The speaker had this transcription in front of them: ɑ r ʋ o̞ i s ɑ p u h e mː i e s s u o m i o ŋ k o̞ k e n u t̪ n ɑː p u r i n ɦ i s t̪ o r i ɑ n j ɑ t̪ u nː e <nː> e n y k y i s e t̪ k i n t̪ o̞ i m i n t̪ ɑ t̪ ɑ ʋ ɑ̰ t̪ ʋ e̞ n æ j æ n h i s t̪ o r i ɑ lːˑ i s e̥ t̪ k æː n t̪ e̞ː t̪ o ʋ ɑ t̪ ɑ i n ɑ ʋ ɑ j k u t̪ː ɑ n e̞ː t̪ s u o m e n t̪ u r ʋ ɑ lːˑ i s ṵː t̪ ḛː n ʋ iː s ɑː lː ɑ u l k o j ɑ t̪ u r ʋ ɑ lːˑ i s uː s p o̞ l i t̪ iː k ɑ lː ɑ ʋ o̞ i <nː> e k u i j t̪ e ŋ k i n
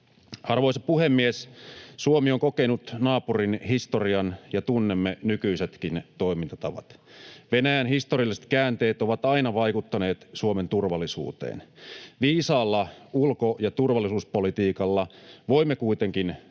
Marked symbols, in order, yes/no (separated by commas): no, no